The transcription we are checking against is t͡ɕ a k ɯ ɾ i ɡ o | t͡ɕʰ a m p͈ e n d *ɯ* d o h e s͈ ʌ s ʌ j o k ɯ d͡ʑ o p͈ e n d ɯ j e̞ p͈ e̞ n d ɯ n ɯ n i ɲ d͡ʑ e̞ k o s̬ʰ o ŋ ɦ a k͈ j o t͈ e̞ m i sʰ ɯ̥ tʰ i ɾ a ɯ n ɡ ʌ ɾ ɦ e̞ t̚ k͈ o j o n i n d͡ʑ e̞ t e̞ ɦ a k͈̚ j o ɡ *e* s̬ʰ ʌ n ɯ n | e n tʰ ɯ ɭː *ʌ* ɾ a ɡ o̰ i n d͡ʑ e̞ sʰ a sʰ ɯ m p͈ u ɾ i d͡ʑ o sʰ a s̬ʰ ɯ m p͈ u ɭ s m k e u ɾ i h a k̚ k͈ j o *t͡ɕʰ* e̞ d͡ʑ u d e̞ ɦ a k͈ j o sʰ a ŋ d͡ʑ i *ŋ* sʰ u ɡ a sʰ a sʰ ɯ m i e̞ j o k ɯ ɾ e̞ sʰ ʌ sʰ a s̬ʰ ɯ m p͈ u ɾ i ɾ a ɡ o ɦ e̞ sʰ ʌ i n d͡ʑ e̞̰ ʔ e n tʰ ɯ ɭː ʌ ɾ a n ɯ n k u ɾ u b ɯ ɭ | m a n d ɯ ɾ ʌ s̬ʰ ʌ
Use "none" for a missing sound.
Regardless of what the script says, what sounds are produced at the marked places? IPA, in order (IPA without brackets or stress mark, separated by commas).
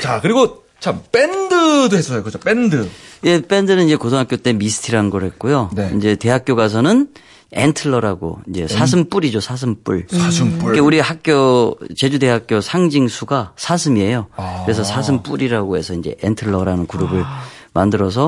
ɯ, a, ʌ, t͡ɕ, ŋ